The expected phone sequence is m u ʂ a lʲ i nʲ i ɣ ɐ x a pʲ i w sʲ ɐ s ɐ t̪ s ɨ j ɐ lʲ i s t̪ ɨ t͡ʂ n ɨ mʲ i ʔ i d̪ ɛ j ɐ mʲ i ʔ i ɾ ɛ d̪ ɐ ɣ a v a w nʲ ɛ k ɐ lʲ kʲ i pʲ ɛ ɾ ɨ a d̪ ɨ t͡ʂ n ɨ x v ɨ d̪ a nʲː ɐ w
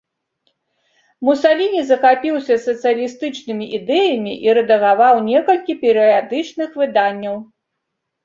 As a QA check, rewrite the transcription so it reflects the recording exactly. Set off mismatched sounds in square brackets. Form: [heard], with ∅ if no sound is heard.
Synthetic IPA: m u [s] a lʲ i nʲ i [z] ɐ x a pʲ i w sʲ ɐ s ɐ t̪ s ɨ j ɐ lʲ i s t̪ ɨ t͡ʂ n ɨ mʲ i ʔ i d̪ ɛ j ɐ mʲ i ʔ i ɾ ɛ d̪ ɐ ɣ a v a w nʲ ɛ k ɐ lʲ kʲ i pʲ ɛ ɾ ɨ a d̪ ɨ t͡ʂ n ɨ x v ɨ d̪ a nʲː ɐ w